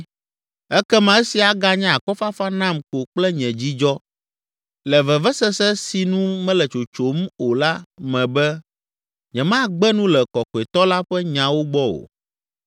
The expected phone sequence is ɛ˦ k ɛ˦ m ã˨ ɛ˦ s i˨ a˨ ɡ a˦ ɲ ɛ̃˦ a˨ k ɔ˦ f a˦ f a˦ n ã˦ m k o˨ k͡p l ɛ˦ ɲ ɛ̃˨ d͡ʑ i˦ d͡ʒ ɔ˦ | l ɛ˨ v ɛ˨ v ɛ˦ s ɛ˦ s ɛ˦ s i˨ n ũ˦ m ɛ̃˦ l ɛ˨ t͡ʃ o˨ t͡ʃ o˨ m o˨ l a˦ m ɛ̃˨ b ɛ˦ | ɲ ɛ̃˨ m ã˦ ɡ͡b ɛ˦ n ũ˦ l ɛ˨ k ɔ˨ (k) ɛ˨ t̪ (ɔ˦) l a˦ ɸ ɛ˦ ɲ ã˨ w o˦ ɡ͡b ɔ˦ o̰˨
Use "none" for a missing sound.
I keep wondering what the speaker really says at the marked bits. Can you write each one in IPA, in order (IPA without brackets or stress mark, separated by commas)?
k, ɔ˦